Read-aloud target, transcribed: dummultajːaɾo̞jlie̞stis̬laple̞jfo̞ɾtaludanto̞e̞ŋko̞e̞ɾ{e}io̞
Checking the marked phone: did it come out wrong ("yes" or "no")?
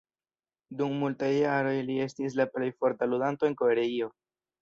no